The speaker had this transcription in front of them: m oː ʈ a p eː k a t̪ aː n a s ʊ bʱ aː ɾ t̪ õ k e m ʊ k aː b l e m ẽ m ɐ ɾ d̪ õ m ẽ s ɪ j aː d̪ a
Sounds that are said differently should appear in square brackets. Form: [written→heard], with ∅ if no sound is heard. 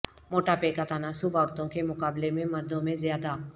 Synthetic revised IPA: m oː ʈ a p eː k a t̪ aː n a s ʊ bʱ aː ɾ t̪ õ k e m ʊ k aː b l e m ẽ m ɐ ɾ d̪ õ m ẽ [s→z] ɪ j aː d̪ a